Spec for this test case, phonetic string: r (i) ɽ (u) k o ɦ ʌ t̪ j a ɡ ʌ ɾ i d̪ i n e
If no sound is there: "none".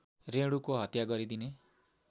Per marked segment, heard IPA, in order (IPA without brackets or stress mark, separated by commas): e, u